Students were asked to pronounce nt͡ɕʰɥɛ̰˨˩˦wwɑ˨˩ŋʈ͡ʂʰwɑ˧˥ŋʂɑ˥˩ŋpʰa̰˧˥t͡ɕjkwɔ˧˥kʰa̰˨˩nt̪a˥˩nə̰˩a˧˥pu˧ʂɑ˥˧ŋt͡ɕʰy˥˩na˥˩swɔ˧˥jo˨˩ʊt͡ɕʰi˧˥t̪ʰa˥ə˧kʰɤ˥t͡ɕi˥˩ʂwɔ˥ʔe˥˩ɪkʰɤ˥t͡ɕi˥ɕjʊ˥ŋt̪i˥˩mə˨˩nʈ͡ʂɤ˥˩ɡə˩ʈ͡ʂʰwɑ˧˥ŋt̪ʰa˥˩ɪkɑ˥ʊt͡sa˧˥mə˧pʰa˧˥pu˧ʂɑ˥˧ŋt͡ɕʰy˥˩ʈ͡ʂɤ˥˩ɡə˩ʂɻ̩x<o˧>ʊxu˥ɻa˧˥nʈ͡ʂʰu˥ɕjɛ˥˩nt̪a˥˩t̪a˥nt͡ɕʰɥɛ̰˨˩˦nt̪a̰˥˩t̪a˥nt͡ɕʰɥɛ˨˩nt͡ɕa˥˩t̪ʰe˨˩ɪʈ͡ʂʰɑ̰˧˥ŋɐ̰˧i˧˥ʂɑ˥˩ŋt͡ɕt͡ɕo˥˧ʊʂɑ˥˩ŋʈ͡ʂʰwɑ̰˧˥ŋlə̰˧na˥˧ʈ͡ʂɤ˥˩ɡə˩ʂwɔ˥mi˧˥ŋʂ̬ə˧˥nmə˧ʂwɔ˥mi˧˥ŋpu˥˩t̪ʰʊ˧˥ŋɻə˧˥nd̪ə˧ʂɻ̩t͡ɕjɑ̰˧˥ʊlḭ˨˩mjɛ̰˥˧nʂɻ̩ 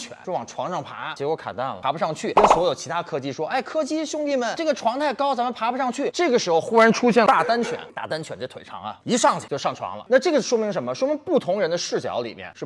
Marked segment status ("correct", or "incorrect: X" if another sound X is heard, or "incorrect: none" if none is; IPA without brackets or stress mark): correct